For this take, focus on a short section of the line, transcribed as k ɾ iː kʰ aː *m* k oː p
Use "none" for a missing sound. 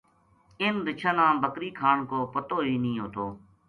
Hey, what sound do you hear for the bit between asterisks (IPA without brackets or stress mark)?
ɳ